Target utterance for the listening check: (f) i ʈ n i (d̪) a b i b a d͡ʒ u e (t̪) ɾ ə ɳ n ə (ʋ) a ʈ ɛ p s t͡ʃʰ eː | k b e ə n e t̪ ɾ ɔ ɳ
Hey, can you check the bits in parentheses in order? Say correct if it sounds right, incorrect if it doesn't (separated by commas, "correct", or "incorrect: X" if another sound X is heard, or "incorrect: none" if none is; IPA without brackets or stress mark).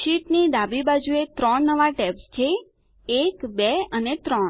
incorrect: ʃ, correct, correct, correct